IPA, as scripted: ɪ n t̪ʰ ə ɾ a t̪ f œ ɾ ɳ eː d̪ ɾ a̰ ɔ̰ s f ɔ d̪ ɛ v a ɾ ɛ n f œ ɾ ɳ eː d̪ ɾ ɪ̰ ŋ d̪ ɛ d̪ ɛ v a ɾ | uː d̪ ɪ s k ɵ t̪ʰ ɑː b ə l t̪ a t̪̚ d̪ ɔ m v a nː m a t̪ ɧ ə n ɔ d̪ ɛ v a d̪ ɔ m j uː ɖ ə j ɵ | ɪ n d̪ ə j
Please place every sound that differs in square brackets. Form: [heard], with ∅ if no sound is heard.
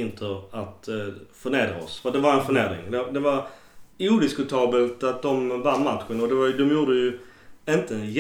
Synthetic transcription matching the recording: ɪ n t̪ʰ ə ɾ a t̪ f œ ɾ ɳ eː d̪ ɾ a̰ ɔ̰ s f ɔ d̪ ɛ v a ɾ ɛ n f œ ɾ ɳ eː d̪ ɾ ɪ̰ ŋ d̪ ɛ d̪ ɛ v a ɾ | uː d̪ ɪ s k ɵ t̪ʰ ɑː b ə l t̪ a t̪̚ d̪ ɔ m v a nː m a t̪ ɧ ə n ɔ d̪ ɛ v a d̪ ɔ m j uː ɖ ə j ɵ | ɪ n [t̪] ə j